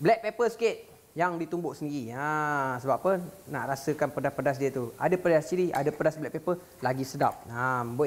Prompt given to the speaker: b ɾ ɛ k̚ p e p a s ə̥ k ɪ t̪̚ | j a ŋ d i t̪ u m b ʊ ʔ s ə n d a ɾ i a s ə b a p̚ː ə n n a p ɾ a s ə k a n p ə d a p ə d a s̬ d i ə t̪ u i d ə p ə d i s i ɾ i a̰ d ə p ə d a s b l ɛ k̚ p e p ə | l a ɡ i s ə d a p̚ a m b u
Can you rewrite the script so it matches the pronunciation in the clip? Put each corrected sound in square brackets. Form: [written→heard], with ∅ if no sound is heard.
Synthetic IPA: b [ɾ→l] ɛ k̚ p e p [a→ə] s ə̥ k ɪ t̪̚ | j a ŋ d i t̪ u m b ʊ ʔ s ə n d [a→i] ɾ i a s ə b a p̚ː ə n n a [p→ʔ] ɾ a s ə k a n p ə d a p ə d a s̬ d i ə t̪ u [i→a] d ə p ə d [i→a] s i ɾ i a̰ d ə p ə d a s b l ɛ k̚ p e p ə | l a ɡ i s ə d a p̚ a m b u